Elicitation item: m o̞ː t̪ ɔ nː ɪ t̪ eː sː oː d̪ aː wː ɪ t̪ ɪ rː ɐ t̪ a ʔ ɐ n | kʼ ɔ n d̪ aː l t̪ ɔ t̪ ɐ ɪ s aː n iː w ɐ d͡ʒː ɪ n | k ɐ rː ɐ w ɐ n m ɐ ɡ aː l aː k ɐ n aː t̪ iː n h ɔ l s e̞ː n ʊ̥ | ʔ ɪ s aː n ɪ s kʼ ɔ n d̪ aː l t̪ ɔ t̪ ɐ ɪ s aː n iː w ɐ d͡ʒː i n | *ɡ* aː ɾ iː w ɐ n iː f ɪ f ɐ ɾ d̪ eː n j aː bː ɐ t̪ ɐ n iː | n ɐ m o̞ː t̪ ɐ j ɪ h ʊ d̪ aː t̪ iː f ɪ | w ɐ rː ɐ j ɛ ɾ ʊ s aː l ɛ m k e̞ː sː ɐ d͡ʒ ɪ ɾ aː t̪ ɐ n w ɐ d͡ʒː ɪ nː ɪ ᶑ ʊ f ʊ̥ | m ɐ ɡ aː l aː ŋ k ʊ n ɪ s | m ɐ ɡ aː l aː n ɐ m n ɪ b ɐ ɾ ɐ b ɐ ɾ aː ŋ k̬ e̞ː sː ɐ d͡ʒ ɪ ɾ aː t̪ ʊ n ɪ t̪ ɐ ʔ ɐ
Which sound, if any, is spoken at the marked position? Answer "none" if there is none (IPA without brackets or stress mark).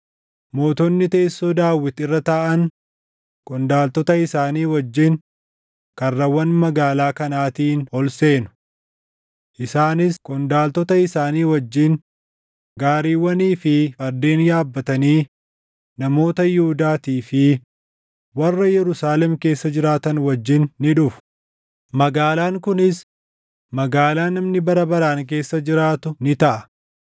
ɡ